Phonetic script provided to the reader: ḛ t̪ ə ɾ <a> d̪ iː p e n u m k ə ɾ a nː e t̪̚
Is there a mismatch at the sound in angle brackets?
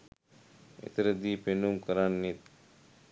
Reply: yes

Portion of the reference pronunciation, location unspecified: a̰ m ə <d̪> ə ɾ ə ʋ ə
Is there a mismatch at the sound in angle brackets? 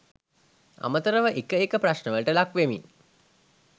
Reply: yes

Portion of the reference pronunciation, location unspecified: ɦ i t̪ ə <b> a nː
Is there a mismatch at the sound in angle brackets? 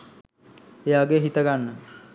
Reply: yes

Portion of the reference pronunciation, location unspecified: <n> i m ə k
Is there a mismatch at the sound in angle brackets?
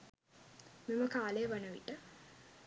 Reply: yes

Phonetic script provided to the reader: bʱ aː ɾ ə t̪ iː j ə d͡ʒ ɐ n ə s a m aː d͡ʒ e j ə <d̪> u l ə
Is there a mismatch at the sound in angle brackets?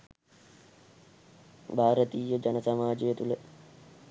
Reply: yes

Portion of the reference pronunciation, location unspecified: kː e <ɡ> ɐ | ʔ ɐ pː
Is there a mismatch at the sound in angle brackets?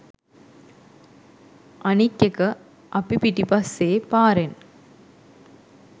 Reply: yes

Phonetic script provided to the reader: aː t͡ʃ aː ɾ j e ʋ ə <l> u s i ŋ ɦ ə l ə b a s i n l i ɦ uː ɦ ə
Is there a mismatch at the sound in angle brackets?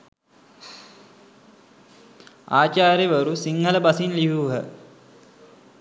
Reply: yes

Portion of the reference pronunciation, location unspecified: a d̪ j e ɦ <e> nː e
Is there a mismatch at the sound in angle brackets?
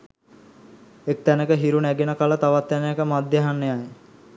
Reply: yes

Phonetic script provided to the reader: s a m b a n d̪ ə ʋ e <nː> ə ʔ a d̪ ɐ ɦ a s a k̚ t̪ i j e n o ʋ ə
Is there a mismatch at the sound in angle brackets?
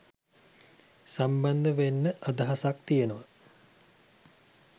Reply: no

